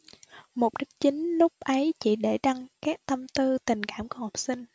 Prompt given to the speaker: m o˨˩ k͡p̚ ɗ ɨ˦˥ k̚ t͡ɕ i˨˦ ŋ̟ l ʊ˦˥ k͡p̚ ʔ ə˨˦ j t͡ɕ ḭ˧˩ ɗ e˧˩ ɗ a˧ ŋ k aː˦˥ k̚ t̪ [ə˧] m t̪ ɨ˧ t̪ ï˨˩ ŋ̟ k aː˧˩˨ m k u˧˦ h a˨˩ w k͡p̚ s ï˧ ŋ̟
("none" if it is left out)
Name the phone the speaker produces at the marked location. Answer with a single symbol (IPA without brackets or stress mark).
ə˧